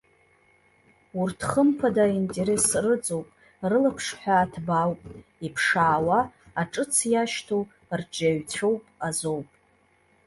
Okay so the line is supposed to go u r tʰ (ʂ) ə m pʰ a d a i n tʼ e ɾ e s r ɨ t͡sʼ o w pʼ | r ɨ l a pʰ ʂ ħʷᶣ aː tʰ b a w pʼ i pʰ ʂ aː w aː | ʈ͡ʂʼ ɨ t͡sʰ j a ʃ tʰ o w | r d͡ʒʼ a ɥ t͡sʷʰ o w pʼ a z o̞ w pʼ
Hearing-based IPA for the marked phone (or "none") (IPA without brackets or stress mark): χ